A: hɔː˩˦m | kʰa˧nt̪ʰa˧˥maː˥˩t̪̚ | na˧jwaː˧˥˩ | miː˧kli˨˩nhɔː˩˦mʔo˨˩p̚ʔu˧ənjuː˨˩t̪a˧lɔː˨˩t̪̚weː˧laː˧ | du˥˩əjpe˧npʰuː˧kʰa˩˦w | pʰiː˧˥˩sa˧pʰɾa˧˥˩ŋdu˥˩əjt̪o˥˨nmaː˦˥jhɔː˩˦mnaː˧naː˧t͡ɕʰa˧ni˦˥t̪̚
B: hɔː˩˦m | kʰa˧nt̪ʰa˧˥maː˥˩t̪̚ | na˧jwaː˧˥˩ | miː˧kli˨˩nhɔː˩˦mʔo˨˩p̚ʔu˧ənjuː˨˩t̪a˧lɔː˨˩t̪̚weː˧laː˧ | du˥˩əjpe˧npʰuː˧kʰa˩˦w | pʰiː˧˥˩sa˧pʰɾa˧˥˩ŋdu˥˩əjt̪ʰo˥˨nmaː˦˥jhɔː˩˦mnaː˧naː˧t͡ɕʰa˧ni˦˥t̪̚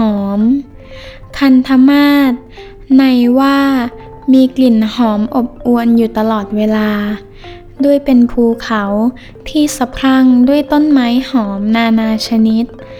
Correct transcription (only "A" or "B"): A